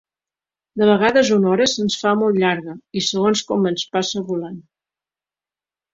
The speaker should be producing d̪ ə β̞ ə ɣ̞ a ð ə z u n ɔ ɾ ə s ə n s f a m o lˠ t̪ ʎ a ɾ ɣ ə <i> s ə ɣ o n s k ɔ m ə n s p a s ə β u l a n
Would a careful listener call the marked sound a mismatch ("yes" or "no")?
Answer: no